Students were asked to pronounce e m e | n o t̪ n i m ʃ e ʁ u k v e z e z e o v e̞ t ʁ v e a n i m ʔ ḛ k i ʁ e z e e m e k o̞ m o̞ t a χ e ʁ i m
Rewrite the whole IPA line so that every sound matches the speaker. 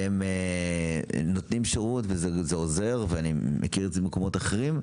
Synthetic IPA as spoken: e m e | n o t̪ n i m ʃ e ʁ u t v e z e z e o z e̞ ʁ v e a n i m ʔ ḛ k i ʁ e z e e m e k o̞ m o̞ t a χ e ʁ i m